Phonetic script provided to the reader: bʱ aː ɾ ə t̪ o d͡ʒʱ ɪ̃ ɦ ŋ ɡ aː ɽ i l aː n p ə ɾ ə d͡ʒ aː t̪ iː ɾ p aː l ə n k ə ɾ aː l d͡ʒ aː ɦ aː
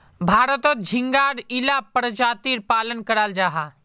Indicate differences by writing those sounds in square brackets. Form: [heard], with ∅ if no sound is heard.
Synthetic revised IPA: bʱ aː ɾ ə t̪ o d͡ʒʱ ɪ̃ [∅] ŋ ɡ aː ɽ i l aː [∅] p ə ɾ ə d͡ʒ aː t̪ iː ɾ p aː l ə n k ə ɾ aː l d͡ʒ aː ɦ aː